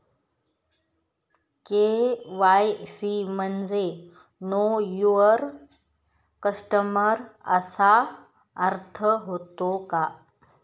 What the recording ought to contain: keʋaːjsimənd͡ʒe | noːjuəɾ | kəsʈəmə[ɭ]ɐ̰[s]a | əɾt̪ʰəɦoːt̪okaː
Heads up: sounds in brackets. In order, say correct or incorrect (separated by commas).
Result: incorrect, correct